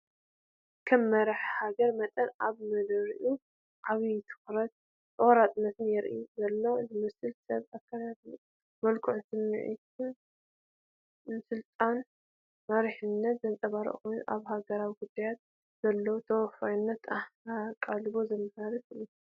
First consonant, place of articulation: velar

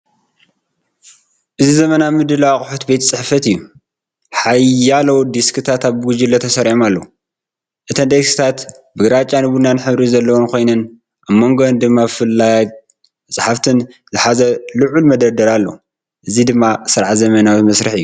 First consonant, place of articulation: glottal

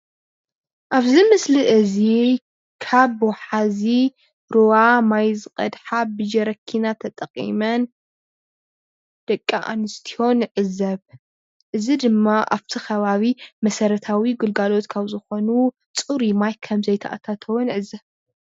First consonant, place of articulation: glottal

